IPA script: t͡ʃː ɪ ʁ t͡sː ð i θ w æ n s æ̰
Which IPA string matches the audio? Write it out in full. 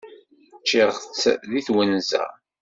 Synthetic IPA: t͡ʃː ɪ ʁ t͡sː ð i θ w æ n z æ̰